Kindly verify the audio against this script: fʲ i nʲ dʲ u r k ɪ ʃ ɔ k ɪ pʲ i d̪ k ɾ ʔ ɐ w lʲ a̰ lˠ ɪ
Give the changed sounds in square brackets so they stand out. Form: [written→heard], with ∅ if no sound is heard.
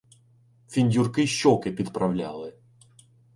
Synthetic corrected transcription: fʲ i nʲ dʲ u r k ɪ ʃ ɔ k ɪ pʲ i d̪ [k→p] ɾ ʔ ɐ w lʲ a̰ lˠ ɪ